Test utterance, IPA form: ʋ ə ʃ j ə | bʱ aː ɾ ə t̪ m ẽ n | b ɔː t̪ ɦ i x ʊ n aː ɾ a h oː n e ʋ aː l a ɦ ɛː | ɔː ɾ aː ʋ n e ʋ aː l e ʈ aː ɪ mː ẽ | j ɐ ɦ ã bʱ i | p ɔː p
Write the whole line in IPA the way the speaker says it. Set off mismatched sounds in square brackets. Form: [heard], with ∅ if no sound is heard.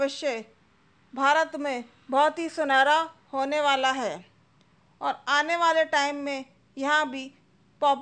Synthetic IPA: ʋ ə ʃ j ə | bʱ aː ɾ ə t̪ m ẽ [∅] | b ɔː t̪ ɦ i [s] ʊ n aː ɾ a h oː n e ʋ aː l a ɦ ɛː | ɔː ɾ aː [∅] n e ʋ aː l e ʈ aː ɪ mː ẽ | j ɐ ɦ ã bʱ i | p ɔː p